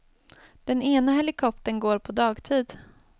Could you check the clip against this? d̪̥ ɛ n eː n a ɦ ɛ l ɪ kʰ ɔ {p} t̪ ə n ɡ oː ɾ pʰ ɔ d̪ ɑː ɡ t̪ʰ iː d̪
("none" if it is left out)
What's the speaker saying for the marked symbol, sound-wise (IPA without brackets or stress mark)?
p